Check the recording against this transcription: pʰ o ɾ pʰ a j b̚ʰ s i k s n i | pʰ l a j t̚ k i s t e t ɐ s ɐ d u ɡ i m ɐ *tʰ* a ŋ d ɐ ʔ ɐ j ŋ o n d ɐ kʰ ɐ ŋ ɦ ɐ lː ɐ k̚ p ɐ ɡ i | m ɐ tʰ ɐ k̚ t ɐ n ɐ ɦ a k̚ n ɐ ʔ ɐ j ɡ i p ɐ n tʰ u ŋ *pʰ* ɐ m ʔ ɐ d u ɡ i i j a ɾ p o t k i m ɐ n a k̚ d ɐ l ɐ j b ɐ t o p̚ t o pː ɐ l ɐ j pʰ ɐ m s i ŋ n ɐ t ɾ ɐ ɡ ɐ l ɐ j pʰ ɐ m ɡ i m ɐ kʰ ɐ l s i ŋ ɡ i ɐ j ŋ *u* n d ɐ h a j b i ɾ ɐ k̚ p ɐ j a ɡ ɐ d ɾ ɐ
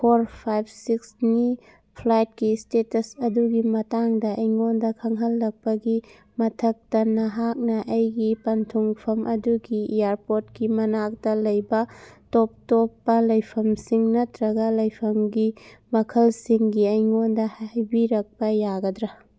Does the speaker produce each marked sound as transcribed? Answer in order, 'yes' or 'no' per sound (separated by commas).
no, yes, no